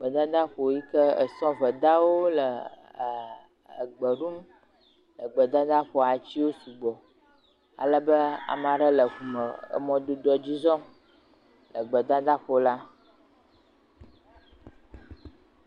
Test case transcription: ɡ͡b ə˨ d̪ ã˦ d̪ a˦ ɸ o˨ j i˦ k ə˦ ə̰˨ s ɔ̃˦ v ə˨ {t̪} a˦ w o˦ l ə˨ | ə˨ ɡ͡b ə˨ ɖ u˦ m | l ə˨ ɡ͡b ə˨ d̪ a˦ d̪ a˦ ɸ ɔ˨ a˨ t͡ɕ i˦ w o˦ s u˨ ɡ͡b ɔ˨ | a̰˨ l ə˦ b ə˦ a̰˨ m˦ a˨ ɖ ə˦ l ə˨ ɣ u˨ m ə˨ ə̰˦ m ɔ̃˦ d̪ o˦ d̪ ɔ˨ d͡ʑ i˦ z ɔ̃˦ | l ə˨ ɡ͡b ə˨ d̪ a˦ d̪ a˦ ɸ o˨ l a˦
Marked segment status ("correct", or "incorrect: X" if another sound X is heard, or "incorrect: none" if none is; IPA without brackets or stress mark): incorrect: d̪